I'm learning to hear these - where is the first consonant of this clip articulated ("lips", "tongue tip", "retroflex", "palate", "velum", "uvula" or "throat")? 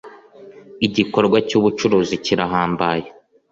palate